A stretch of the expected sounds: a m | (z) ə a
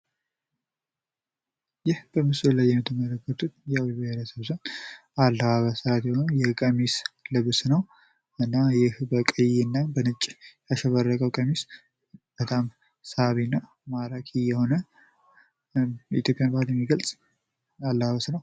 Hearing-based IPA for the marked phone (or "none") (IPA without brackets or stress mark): s